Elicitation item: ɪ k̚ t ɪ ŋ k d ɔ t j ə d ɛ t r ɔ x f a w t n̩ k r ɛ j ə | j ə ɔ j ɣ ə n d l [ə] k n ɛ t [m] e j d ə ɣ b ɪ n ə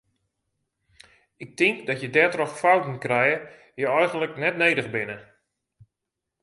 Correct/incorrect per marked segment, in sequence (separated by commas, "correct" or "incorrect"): correct, incorrect